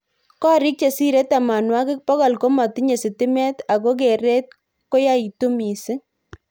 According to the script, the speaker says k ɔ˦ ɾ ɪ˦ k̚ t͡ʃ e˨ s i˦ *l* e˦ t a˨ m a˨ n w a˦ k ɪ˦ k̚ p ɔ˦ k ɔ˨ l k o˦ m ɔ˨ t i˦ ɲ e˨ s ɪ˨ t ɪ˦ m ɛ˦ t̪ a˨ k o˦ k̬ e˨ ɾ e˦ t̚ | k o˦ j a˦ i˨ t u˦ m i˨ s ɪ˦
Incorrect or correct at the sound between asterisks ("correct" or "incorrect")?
incorrect